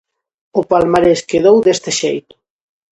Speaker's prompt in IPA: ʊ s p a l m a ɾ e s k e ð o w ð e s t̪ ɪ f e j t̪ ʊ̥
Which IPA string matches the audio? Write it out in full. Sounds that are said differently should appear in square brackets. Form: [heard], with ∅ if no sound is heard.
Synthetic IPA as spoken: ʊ [∅] p a l m a ɾ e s k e ð o w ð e s t̪ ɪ [ʃ] e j t̪ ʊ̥